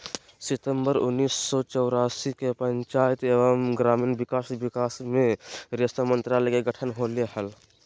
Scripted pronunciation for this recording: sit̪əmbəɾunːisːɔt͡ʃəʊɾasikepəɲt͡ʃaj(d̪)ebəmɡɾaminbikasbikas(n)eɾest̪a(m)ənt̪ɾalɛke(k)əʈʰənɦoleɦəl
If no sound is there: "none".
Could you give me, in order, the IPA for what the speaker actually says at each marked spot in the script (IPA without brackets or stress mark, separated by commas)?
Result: t̪, m, m, ɡ